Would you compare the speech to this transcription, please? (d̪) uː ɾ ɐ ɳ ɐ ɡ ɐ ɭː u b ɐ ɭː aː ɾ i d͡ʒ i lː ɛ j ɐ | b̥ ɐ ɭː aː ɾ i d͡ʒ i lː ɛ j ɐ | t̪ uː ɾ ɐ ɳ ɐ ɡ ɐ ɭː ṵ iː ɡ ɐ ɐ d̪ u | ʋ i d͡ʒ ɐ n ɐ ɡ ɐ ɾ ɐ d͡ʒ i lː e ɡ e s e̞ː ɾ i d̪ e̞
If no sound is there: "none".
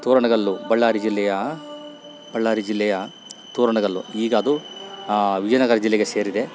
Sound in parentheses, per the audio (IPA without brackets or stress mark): t̪